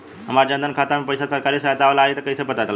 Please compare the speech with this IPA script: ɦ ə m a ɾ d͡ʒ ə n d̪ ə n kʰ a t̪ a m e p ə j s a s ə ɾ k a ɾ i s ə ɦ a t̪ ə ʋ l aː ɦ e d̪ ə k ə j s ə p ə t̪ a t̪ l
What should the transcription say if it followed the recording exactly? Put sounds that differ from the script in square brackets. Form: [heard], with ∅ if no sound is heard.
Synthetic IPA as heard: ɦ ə m a ɾ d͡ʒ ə n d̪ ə n kʰ a t̪ a m e p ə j s a s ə ɾ k a ɾ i s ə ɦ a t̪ [a] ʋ l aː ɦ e [t̪] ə k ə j s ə p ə t̪ a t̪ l